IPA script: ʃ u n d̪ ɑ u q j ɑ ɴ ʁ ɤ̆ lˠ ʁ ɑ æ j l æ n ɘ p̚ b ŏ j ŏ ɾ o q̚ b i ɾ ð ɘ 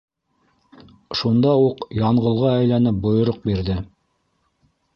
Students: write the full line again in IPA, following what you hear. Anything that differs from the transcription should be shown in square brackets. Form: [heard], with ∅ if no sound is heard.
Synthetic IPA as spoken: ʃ u n d̪ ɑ u q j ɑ ɴ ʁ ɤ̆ lˠ ʁ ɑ æ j l æ n ɘ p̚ b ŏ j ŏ ɾ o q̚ b i ɾ ð ɘ